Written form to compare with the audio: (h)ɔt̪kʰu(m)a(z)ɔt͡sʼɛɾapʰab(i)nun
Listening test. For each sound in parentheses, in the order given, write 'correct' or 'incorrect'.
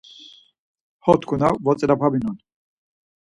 correct, incorrect, incorrect, correct

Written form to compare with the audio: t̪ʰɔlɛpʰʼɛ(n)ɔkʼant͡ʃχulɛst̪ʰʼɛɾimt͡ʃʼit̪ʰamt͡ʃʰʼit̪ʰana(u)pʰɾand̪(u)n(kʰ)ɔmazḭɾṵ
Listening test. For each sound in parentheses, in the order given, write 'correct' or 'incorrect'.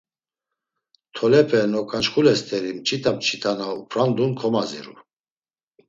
correct, correct, correct, correct

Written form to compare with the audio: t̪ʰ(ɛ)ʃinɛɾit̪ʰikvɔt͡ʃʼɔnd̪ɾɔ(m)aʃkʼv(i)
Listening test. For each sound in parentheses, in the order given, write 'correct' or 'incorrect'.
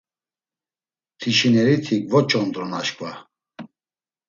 incorrect, incorrect, incorrect

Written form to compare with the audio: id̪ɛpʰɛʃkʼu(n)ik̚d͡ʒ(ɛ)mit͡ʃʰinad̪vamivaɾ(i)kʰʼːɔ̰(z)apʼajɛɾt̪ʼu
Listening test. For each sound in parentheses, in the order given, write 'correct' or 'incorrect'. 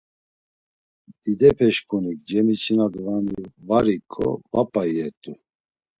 correct, correct, correct, incorrect

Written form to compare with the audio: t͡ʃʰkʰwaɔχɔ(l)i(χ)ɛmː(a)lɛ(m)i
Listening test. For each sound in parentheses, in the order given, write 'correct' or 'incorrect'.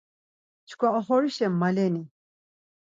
incorrect, incorrect, correct, incorrect

